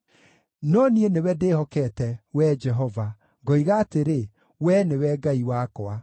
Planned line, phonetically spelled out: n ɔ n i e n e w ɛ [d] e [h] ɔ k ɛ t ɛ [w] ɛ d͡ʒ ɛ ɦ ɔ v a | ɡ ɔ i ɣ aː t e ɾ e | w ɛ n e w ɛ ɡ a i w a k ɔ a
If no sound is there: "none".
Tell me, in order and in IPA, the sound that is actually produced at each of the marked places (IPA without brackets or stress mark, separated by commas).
d, h, w